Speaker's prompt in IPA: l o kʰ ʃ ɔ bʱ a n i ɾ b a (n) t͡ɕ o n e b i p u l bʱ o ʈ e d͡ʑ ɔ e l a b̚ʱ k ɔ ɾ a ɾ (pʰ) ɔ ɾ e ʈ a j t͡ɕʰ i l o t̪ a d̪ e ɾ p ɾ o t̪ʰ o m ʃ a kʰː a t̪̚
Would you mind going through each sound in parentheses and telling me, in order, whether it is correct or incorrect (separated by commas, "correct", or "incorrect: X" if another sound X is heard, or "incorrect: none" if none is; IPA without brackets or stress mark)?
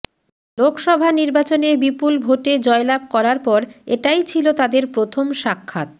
incorrect: none, incorrect: p